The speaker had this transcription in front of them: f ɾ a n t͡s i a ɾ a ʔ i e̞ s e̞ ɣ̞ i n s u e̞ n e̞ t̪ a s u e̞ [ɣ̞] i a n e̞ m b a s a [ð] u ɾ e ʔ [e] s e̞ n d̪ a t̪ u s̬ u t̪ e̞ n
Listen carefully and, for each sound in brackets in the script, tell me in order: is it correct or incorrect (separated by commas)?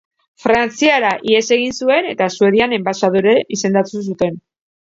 incorrect, correct, incorrect